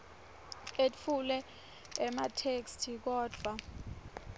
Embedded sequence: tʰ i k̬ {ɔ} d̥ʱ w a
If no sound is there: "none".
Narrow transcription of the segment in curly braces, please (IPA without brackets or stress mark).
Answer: ɔː